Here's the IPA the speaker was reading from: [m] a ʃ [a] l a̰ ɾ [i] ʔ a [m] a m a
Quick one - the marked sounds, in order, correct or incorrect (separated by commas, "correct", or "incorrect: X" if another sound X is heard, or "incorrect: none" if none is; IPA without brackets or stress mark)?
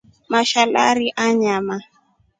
correct, correct, correct, incorrect: ɲ